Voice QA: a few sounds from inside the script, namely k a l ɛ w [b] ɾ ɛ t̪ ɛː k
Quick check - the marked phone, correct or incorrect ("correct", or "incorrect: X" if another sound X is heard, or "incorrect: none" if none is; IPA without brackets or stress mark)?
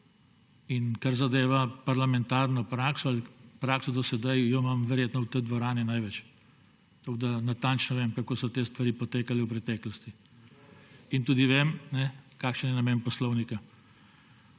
incorrect: p